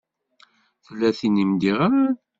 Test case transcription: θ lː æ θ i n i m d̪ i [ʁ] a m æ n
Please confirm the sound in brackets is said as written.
yes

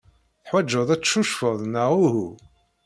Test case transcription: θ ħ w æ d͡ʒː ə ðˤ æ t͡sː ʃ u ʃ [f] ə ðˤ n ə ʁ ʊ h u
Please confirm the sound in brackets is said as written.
yes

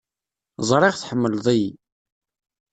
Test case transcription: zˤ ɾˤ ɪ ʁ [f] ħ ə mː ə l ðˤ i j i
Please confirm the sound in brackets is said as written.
no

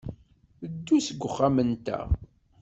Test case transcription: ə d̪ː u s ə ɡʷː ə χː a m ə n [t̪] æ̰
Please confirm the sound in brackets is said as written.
yes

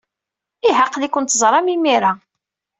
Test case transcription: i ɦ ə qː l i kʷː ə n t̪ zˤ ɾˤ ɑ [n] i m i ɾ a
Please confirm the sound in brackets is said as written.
no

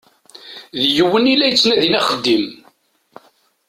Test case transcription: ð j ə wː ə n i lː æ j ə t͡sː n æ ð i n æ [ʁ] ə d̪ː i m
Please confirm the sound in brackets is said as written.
no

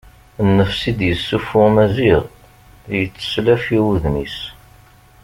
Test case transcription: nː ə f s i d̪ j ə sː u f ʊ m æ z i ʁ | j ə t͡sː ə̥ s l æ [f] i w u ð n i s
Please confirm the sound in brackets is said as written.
yes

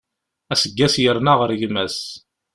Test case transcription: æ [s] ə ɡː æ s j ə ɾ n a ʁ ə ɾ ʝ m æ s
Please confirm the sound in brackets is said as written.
yes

